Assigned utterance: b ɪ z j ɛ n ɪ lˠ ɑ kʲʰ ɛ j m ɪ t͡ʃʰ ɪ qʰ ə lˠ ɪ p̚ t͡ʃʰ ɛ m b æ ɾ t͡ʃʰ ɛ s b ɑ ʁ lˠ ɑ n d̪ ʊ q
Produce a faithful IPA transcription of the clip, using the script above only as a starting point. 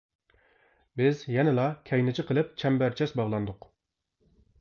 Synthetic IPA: b ɪ z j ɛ n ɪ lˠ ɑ kʲʰ ɛ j n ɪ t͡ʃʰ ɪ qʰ ə lˠ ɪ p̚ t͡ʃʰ ɛ m b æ ɾ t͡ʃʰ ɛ s b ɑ ʁ lˠ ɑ n d̪ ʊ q